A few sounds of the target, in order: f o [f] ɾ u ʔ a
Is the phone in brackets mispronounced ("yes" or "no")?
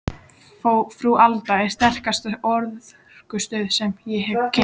no